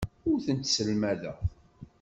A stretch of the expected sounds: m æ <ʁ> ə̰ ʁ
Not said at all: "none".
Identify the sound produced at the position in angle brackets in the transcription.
ð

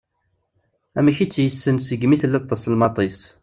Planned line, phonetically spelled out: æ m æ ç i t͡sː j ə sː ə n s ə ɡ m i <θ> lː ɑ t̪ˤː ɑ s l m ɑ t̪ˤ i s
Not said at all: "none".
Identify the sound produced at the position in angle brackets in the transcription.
θ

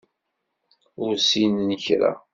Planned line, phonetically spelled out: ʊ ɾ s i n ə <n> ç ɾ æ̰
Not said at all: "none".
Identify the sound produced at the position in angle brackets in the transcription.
n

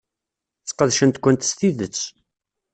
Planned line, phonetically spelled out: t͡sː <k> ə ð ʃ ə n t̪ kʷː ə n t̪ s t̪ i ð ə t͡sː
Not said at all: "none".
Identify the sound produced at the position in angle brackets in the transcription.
q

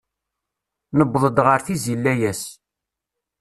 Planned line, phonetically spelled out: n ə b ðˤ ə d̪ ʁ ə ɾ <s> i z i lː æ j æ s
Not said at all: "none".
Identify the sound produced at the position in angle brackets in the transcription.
θ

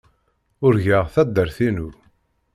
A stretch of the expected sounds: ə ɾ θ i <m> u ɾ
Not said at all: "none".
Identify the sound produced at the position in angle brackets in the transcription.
n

